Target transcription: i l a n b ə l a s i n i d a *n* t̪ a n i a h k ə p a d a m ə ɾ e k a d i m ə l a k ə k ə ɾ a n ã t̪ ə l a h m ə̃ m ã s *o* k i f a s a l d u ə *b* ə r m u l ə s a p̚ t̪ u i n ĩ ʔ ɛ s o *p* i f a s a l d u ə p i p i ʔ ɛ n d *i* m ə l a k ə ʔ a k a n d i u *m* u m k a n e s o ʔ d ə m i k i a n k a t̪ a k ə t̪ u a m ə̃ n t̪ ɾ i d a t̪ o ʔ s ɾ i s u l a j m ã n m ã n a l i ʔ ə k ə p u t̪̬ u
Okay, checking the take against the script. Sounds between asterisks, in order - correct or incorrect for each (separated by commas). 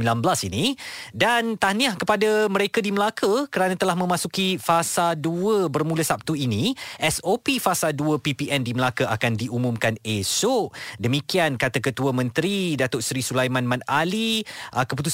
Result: correct, incorrect, correct, correct, correct, correct